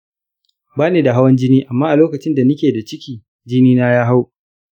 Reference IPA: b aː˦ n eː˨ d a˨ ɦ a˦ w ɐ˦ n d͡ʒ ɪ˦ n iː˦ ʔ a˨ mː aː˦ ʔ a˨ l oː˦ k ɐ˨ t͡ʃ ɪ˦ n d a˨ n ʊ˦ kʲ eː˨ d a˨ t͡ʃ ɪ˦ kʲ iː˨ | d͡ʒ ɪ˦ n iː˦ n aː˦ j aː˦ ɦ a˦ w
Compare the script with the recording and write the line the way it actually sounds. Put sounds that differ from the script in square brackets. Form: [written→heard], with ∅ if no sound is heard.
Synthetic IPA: b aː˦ n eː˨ d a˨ ɦ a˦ w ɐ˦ n d͡ʒ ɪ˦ n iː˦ ʔ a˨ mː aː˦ ʔ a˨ l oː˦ k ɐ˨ t͡ʃ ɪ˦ n d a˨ n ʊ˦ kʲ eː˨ d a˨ t͡ʃ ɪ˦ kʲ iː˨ | d͡ʒ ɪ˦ n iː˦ n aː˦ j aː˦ ɦ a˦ w